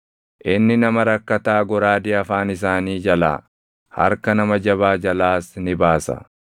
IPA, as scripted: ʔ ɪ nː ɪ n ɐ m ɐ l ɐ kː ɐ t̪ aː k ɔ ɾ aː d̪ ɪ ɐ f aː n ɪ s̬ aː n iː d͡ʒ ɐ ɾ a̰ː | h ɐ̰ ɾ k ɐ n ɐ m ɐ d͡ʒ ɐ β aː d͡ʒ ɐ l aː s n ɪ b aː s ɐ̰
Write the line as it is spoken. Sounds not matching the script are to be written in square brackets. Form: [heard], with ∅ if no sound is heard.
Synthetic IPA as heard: ʔ ɪ nː ɪ n ɐ m ɐ [ɾ] ɐ kː ɐ t̪ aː [ɡ] ɔ ɾ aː d̪ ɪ ɐ f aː n ɪ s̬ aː n iː d͡ʒ ɐ [l] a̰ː | h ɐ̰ ɾ k ɐ n ɐ m ɐ d͡ʒ ɐ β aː d͡ʒ ɐ l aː s n ɪ b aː s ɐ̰